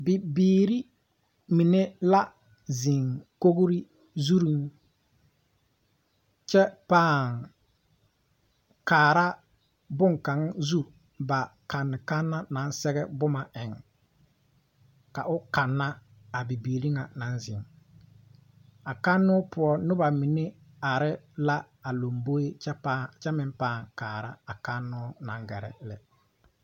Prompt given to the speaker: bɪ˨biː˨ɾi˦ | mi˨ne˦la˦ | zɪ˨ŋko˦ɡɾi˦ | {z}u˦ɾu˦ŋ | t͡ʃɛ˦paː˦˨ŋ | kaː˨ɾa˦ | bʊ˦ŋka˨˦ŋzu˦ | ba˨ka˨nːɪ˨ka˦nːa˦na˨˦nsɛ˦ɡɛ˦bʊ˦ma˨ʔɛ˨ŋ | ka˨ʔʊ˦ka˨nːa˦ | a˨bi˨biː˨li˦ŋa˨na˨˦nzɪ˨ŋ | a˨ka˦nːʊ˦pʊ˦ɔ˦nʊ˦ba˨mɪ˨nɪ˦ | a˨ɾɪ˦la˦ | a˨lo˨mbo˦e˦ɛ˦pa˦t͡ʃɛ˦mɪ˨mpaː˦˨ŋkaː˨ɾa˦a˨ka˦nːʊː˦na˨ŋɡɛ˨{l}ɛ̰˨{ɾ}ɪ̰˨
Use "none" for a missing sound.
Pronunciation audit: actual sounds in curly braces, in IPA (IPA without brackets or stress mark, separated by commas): z, ɾ, l